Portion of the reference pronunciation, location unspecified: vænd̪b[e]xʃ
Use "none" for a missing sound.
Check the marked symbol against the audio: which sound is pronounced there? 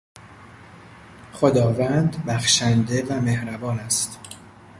æ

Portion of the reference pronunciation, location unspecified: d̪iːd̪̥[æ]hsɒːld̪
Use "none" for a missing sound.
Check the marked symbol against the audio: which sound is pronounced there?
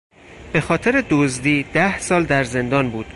æ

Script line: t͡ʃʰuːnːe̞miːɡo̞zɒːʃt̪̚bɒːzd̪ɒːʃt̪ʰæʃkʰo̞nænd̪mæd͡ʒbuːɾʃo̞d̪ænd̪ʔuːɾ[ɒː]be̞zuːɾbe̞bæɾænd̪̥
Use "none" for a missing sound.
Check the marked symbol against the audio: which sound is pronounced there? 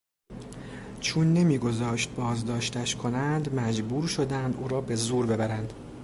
ɒː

